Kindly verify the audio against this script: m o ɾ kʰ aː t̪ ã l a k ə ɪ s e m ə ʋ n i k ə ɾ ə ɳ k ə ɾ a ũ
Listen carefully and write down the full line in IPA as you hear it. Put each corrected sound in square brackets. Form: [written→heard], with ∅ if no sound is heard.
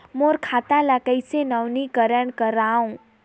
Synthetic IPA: m o ɾ kʰ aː t̪ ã l a k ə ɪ s e [m→n] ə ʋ n i k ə ɾ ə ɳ k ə ɾ a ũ